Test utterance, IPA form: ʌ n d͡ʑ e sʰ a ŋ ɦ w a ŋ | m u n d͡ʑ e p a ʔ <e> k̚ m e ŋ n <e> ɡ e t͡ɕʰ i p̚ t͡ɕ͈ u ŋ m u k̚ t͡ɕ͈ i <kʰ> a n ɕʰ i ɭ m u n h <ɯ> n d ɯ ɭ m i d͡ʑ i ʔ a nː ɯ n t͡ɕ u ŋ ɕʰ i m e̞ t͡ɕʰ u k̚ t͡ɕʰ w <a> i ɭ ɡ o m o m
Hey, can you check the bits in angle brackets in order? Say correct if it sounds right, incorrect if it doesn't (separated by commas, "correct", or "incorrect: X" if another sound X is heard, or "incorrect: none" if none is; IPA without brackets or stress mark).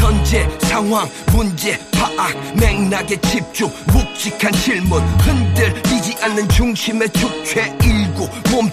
incorrect: a, incorrect: a, correct, correct, incorrect: e